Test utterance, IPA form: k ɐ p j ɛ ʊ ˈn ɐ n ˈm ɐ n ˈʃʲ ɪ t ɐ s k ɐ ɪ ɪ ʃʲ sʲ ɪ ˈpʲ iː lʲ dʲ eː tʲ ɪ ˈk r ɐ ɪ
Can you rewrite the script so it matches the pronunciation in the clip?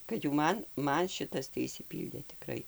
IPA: k ɐ t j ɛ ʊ ˈm ɐ n ˈm ɐ n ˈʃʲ ɪ t ɐ s t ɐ ɪ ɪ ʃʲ sʲ ɪ ˈpʲ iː lʲ dʲ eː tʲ ɪ ˈk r ɐ ɪ